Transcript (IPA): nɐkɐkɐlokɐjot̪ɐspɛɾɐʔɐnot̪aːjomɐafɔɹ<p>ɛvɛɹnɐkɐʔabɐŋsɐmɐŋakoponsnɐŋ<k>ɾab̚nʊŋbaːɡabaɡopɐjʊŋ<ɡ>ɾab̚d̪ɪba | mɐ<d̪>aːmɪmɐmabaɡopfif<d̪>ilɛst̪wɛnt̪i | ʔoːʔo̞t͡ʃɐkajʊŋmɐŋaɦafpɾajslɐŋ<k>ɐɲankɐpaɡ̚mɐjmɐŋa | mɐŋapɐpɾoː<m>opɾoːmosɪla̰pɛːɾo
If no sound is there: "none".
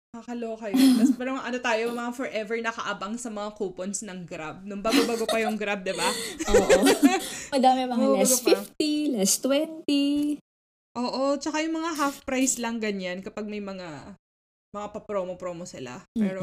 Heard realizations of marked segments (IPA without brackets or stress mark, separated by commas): ʔ, ɡ, ɡ, d̪, t̪, ɡ, m